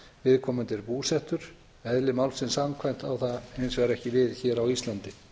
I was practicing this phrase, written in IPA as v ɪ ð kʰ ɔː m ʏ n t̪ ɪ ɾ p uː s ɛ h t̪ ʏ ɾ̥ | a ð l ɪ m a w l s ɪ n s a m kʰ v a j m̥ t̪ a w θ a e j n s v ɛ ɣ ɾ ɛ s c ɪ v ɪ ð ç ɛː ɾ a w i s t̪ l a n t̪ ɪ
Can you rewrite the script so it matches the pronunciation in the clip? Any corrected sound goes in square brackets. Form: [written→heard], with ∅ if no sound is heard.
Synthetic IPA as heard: v ɪ ð kʰ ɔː m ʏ n t̪ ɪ ɾ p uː s ɛ h t̪ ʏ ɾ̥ | [a→ɛ] ð l ɪ m a w l s ɪ n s a m kʰ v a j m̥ t̪ a w θ a e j n s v ɛ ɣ ɾ ɛ [s→h] c ɪ v ɪ ð ç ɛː ɾ a w i s t̪ l a n t̪ ɪ